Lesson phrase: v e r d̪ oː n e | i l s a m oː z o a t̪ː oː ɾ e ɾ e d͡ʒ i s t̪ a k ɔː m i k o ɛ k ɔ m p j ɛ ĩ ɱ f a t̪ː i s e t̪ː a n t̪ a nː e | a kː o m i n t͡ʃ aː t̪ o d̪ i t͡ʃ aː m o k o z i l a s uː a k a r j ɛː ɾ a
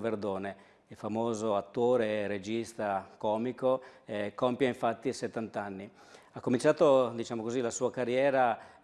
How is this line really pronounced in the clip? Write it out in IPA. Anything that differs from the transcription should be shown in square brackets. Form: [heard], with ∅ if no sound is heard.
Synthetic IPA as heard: v e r d̪ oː n e | i l [f] a m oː z o a t̪ː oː ɾ e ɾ e d͡ʒ i s t̪ a k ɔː m i k o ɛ k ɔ m p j [a] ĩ ɱ f a t̪ː i s e t̪ː a n t̪ a nː [i] | a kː o m i n t͡ʃ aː t̪ o d̪ i t͡ʃ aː m o k o z i l a s uː a k a r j ɛː ɾ a